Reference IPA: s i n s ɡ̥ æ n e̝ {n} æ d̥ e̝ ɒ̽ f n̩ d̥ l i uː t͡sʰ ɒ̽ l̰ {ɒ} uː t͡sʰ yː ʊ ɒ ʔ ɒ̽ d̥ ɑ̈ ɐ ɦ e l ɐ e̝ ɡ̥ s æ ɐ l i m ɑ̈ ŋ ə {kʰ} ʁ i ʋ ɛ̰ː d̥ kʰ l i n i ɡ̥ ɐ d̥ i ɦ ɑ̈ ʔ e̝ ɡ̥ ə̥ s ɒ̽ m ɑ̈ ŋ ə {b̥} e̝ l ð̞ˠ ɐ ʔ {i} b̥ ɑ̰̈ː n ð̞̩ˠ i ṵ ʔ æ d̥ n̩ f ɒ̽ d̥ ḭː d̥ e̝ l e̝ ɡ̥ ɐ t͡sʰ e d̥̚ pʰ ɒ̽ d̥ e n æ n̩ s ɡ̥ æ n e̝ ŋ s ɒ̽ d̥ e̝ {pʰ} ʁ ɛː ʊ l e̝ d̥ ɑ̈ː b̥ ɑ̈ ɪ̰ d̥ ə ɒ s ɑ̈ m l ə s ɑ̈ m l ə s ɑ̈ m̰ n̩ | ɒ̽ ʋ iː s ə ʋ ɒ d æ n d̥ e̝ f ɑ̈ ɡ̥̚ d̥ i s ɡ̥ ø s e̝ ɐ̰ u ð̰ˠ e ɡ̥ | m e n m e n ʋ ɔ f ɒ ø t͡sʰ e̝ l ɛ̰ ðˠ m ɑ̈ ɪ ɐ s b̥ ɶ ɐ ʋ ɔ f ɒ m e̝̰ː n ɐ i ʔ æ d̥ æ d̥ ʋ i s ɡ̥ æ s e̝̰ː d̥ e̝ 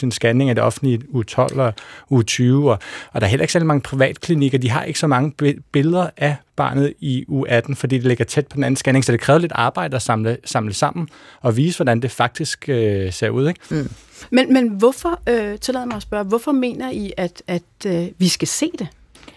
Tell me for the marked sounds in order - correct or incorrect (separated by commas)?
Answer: incorrect, correct, incorrect, correct, incorrect, incorrect